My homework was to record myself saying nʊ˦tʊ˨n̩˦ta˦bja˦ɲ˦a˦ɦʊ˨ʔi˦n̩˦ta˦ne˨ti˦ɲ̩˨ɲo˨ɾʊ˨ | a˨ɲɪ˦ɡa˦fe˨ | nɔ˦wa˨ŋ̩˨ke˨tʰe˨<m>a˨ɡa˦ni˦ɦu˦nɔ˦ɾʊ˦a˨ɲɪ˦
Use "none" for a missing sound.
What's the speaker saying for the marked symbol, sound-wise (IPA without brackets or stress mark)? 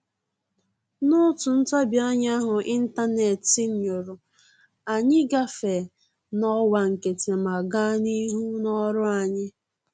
m